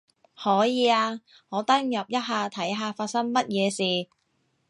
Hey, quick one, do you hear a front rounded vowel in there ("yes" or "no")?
no